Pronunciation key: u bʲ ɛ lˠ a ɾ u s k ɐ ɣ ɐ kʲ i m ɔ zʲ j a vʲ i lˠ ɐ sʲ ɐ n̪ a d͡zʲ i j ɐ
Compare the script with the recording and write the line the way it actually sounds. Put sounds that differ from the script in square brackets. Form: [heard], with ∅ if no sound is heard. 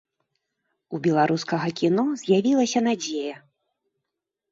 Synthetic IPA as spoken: u bʲ ɛ lˠ a ɾ u s k ɐ ɣ ɐ kʲ i [n] ɔ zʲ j a vʲ i lˠ ɐ sʲ ɐ n̪ a d͡zʲ [e] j ɐ